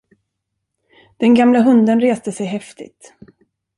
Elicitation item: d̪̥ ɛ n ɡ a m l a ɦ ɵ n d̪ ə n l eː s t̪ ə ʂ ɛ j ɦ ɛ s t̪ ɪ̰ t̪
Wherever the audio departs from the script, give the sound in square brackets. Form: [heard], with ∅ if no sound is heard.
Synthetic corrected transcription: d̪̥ ɛ n ɡ a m l a ɦ ɵ n d̪ ə n [ɾ] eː s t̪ ə [s] ɛ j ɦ ɛ [f] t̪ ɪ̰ t̪